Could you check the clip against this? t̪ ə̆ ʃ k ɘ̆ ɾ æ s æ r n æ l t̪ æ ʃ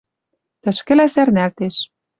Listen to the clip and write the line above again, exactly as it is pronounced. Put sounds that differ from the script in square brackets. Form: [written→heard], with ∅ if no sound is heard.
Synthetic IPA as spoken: t̪ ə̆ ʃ k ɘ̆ [ɾ→l] æ s æ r n æ l t̪ [æ→e] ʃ